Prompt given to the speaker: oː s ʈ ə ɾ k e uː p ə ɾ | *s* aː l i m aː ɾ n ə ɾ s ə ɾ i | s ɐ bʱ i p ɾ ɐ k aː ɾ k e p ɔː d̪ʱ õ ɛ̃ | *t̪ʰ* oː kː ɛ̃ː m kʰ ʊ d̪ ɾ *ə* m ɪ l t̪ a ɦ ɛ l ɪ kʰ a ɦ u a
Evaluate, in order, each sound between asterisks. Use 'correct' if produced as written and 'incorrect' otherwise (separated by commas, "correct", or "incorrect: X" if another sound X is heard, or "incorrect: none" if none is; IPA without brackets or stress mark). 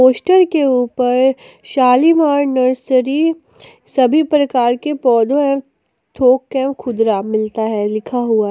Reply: incorrect: ʃ, correct, incorrect: a